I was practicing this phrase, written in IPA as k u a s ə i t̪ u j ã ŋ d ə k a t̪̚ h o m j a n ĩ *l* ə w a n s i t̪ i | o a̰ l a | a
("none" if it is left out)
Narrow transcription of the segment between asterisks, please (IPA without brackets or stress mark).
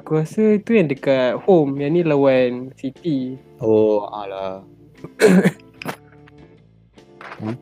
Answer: l